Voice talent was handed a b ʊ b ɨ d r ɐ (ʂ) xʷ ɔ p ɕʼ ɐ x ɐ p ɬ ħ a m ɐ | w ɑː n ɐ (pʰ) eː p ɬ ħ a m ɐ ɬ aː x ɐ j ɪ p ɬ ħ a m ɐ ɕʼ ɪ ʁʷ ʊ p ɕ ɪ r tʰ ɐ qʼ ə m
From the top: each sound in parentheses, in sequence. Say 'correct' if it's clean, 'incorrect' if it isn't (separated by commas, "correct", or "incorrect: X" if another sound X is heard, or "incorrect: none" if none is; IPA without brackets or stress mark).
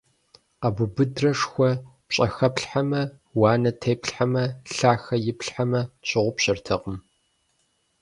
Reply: correct, incorrect: tʰ